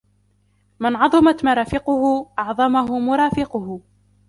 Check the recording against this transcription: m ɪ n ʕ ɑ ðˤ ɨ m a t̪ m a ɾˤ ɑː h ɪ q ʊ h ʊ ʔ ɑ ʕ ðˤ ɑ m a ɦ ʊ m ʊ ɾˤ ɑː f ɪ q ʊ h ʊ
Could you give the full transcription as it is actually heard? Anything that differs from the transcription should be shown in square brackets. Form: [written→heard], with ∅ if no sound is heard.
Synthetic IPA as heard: m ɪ n ʕ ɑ ðˤ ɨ m a t̪ m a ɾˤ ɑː [h→f] ɪ q ʊ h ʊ ʔ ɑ ʕ ðˤ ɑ m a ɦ ʊ m ʊ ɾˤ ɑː f ɪ q ʊ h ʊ